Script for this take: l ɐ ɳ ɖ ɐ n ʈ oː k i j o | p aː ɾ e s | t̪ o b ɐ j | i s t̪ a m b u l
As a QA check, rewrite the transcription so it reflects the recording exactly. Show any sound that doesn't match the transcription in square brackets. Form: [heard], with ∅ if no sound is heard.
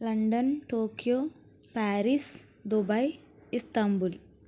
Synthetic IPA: l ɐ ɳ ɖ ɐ n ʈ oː k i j o | p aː ɾ [i] s | [d̪] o b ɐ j | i s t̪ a m b u l